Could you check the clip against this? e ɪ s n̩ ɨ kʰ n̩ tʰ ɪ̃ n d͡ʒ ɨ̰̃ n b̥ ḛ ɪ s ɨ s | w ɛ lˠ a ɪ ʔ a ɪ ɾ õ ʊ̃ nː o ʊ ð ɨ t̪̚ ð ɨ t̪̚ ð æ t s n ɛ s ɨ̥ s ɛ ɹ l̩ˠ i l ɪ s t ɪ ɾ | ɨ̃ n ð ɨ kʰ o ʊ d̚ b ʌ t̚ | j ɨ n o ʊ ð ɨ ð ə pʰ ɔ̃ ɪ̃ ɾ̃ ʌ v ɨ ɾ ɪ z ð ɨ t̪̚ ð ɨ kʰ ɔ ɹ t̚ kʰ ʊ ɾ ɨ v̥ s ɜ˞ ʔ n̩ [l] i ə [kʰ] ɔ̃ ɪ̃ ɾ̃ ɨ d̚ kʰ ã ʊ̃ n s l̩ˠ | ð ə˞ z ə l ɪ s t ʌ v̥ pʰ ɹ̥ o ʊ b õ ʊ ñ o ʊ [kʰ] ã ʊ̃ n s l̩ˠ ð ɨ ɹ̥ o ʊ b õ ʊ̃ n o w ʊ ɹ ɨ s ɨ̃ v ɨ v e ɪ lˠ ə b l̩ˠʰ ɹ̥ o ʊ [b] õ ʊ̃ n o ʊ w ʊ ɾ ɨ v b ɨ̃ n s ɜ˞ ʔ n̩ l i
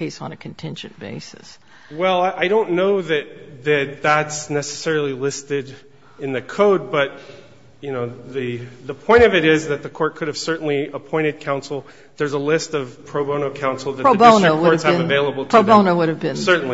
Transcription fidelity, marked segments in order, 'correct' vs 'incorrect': correct, incorrect: pʰ, correct, correct

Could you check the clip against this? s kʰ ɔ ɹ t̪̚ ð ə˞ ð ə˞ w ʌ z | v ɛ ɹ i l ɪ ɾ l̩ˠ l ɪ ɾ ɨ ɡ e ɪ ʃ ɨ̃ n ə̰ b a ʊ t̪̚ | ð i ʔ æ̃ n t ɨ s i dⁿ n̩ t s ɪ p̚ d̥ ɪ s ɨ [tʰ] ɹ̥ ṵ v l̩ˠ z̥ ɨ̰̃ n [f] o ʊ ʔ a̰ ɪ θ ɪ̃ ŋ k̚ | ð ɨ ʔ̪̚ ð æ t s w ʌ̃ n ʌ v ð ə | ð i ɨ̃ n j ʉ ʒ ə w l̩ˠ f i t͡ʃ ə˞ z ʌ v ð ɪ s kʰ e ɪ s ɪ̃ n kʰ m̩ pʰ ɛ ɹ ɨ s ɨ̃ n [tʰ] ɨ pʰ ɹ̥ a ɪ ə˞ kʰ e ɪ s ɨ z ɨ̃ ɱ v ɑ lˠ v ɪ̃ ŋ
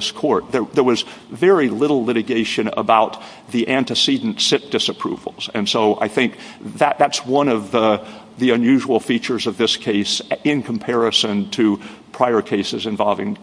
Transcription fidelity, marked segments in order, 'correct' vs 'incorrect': incorrect: pʰ, incorrect: s, correct

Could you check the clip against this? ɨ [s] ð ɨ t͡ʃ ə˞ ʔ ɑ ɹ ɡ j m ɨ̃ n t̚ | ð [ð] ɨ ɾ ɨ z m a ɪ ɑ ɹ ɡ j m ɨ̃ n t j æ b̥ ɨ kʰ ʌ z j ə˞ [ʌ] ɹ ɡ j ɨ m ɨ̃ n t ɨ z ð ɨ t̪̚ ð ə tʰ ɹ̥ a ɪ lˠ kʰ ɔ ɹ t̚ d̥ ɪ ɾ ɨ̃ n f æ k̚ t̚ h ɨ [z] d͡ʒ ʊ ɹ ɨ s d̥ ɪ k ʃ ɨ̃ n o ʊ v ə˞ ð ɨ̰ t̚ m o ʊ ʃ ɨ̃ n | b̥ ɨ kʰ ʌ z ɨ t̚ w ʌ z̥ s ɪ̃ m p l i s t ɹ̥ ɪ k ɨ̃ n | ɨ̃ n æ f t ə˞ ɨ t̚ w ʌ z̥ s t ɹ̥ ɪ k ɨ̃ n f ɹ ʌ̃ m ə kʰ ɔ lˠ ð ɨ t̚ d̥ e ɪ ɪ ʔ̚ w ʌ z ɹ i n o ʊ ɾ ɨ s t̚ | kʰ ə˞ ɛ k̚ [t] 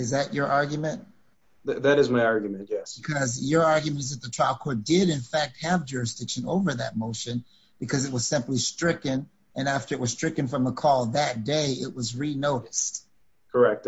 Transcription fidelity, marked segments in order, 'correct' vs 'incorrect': incorrect: z, correct, incorrect: ɑ, incorrect: v, correct

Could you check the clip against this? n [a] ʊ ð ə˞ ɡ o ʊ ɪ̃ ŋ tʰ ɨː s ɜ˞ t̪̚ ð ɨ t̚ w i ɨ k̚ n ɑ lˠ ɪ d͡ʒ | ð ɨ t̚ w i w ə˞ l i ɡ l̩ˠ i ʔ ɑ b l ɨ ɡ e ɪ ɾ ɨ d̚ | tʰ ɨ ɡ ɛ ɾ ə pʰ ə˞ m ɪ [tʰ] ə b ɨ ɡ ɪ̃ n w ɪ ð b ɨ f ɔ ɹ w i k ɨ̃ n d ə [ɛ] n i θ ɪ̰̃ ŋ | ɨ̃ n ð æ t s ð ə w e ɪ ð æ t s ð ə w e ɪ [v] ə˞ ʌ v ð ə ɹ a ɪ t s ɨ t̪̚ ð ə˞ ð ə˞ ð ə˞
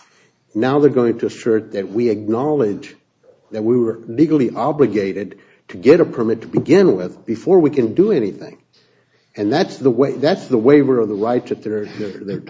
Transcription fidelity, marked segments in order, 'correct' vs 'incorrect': correct, correct, correct, correct

